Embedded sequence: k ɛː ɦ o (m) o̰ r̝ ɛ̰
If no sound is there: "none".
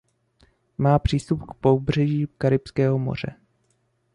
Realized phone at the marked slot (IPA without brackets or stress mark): m